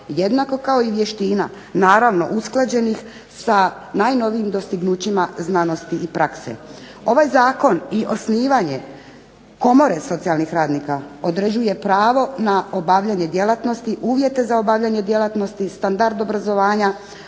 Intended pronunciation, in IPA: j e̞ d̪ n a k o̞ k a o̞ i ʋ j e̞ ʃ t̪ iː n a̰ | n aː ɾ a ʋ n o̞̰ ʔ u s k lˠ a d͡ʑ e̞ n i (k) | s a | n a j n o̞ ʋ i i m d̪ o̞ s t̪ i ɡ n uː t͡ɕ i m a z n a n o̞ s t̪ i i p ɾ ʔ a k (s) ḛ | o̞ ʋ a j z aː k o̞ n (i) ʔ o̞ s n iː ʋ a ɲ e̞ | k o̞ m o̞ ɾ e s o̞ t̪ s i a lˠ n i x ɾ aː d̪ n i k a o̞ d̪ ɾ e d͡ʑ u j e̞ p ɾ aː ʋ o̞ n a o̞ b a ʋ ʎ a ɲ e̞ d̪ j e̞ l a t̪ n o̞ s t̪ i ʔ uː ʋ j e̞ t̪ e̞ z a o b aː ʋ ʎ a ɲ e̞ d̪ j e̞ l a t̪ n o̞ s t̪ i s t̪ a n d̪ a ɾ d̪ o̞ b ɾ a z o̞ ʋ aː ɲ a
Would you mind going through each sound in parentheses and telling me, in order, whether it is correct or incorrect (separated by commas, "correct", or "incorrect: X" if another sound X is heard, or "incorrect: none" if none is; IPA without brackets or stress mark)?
incorrect: x, correct, correct